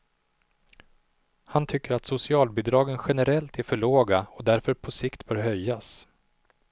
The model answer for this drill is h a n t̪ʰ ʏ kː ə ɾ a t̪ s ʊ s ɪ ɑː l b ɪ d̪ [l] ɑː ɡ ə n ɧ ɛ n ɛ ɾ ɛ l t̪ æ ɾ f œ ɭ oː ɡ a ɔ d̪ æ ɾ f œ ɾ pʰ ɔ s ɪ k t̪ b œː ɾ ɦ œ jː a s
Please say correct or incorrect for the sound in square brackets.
incorrect